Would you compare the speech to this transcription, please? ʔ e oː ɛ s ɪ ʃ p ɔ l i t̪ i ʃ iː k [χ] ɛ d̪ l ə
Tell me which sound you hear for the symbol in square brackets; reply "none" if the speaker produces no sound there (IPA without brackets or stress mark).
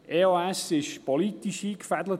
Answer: f